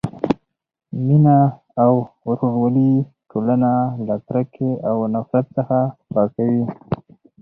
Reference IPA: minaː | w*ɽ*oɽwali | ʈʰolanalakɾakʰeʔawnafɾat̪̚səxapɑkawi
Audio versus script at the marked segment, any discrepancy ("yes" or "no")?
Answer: yes